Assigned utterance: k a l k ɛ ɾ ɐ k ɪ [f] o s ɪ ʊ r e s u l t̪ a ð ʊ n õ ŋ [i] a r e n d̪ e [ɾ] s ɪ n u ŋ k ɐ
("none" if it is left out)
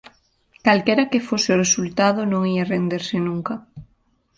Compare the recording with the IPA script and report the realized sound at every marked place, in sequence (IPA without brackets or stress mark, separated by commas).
f, i, ɾ